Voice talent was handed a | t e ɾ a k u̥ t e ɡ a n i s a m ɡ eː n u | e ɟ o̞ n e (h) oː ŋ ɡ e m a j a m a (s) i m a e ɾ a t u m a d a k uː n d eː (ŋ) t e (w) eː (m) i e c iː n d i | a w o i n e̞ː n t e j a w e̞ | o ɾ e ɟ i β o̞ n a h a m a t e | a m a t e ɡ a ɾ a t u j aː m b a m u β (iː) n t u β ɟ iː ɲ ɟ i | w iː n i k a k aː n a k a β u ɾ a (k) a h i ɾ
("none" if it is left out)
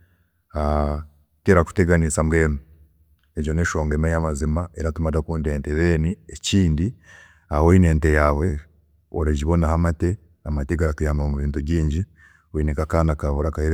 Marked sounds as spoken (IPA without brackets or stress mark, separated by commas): ʃ, z, n, β, n, iː, k